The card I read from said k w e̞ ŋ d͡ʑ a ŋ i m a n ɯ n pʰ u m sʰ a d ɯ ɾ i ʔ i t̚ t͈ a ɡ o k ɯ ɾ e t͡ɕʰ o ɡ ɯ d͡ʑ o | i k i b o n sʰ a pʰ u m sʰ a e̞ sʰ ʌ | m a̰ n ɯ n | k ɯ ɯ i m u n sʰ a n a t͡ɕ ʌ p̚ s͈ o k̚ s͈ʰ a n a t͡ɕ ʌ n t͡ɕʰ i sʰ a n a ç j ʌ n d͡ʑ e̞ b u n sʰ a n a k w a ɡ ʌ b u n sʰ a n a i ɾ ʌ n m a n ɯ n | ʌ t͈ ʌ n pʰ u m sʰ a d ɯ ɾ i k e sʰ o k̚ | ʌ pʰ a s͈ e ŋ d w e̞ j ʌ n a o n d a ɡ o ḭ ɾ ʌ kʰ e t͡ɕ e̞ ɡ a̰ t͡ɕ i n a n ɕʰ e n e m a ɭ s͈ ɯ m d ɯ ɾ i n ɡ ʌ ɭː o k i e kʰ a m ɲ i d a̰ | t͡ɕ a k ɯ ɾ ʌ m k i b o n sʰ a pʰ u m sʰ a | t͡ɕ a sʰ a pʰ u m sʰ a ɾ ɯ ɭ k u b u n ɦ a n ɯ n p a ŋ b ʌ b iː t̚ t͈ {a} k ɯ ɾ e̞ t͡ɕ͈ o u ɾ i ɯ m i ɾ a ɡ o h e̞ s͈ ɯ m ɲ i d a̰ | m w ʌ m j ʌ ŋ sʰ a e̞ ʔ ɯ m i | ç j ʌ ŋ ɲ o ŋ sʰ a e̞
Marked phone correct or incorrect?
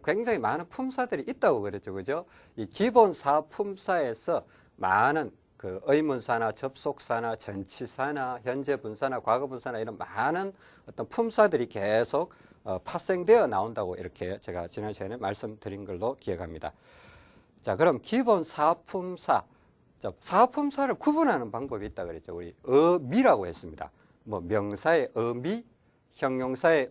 correct